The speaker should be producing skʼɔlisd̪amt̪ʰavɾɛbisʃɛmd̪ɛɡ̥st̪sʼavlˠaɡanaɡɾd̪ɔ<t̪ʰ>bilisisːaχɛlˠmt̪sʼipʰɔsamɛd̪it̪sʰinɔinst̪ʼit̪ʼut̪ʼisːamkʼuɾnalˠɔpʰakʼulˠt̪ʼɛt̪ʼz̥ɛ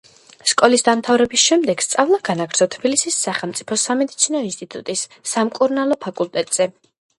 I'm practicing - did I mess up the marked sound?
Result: no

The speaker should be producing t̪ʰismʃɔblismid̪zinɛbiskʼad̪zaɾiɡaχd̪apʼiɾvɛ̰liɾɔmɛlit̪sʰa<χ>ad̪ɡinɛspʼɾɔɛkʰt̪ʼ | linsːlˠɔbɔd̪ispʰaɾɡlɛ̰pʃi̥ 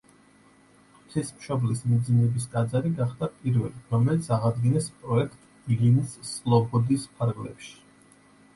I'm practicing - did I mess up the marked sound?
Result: yes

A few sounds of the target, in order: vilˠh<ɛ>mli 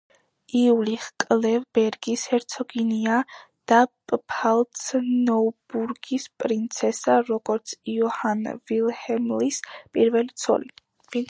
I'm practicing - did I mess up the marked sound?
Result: no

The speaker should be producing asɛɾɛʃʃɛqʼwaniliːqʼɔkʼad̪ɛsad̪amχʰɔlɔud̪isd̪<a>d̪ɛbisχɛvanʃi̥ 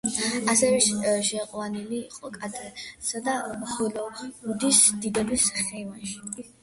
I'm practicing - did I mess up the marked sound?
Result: yes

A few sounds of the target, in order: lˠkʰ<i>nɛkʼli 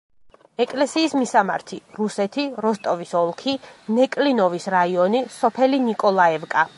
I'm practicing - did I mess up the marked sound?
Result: no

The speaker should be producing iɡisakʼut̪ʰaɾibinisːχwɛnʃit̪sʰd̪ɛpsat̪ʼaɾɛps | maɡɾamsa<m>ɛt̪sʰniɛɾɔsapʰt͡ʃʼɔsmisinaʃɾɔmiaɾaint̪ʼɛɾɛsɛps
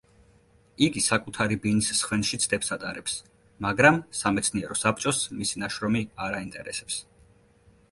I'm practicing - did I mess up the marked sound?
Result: no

